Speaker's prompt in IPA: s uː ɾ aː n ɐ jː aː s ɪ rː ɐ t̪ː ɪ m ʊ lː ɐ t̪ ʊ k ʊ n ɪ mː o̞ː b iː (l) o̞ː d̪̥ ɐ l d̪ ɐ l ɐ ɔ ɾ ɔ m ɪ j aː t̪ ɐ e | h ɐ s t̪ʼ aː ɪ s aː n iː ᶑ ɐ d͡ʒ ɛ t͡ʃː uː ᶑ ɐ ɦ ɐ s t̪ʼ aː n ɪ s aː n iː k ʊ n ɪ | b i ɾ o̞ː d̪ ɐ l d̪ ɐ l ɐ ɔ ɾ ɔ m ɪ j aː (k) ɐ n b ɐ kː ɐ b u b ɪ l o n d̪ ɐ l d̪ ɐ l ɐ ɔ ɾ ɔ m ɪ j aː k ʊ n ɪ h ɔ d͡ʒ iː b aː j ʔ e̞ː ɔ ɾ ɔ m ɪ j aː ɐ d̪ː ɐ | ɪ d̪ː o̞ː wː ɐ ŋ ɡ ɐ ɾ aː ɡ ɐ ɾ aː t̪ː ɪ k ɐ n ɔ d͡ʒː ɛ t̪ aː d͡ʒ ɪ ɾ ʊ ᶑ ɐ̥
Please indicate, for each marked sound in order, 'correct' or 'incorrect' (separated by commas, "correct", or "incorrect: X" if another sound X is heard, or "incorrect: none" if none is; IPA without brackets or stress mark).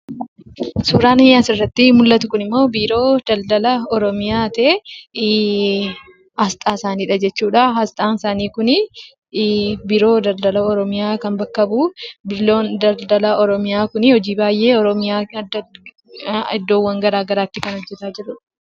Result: incorrect: ɾ, correct